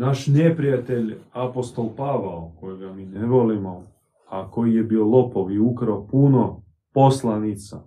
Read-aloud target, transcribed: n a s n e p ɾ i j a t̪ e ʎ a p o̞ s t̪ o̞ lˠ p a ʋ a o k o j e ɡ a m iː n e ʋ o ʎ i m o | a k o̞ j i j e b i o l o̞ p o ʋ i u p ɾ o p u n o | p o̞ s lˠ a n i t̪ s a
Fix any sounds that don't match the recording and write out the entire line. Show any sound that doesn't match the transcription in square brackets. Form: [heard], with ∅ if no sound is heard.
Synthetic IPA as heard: n a [ʃ] n e p ɾ i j a t̪ e ʎ a p o̞ s t̪ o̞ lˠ p a ʋ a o k o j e ɡ a m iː n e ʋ o [l] i m o | a k o̞ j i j e b i o l o̞ p o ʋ i u [k] ɾ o p u n o | p o̞ s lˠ a n i t̪ s a